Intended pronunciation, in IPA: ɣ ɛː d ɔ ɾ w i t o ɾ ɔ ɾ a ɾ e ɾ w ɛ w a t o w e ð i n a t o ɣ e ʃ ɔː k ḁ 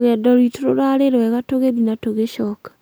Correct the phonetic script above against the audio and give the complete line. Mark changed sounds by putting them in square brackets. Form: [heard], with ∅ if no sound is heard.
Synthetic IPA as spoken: ɣ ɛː d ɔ ɾ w i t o ɾ [o] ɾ a ɾ e ɾ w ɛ [ɣ] a t o [ɣ] e ð i n a t o ɣ e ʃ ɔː k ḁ